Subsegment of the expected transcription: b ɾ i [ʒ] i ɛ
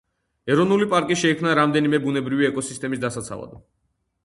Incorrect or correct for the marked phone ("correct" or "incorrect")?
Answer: incorrect